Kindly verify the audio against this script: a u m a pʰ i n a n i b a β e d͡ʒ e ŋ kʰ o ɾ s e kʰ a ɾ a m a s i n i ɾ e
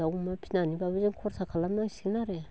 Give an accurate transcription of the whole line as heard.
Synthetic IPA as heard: a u m a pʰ i n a n i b a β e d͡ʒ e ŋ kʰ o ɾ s a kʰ a l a m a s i n a ɾ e